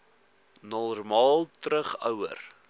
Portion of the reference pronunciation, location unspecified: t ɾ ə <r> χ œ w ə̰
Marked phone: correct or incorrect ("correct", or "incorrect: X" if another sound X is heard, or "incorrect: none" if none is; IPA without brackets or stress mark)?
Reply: incorrect: none